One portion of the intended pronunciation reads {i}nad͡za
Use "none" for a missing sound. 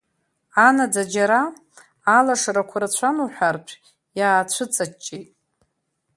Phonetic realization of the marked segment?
a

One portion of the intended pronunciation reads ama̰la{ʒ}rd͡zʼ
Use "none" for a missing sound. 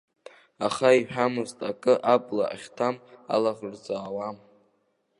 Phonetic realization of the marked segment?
ʁ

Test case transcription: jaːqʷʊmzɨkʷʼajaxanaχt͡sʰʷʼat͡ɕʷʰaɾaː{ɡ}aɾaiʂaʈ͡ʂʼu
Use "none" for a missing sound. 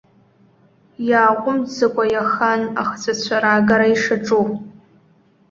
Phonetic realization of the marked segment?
ɡ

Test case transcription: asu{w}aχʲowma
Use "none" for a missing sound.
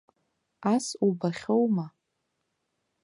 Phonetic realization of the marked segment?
b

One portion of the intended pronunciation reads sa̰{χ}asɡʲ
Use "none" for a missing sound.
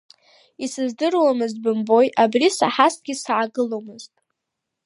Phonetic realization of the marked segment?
ħ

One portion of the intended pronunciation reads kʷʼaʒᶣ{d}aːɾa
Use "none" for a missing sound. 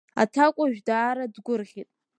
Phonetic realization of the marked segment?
d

